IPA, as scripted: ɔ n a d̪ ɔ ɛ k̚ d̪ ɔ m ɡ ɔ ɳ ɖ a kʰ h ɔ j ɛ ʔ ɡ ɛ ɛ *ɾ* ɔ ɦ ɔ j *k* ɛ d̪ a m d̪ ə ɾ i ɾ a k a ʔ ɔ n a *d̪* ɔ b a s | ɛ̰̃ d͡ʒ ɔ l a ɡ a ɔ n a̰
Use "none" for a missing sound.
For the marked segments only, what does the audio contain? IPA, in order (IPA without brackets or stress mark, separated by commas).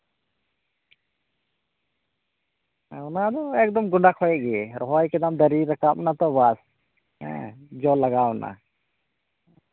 ɾ, k, t̪